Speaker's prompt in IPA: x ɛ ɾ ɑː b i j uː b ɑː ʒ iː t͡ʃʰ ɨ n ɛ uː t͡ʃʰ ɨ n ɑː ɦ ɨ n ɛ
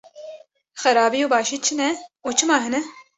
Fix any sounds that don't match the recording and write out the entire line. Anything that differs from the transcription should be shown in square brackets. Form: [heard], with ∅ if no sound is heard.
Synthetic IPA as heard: x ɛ ɾ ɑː b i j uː b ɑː [ʃ] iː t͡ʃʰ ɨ n ɛ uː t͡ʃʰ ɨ [m] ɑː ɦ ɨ n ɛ